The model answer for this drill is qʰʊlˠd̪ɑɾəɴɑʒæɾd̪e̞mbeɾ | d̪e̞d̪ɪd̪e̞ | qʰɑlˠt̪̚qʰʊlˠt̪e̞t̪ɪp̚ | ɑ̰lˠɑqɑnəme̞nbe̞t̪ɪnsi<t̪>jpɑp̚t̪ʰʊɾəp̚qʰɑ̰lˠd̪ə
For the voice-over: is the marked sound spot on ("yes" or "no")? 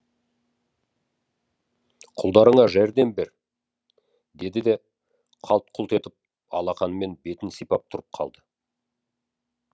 no